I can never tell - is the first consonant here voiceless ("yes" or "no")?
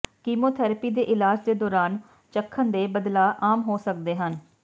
yes